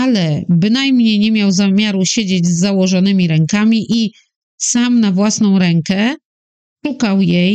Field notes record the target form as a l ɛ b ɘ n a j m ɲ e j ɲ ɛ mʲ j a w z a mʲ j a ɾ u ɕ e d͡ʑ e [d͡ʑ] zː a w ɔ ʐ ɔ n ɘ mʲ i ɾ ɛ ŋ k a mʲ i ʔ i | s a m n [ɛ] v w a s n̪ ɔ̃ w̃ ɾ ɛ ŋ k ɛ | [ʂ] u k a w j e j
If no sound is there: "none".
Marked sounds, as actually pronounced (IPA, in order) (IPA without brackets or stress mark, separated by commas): d͡ʑ, a, ʂ